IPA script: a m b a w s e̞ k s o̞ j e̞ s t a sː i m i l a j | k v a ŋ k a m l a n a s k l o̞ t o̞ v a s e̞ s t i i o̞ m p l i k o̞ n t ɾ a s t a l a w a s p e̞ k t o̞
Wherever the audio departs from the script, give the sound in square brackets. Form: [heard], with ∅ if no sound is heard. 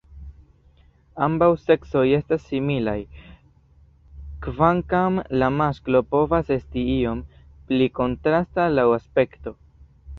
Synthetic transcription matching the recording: a m b a w s e̞ k s o̞ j e̞ s t a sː i m i l a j | k v a ŋ k a m l a [m] a s k l o̞ [p] o̞ v a s e̞ s t i i o̞ m p l i k o̞ n t ɾ a s t a l a w a s p e̞ k t o̞